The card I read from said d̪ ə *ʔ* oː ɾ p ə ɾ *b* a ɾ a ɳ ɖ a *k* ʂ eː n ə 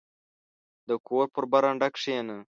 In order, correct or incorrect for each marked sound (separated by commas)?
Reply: incorrect, correct, correct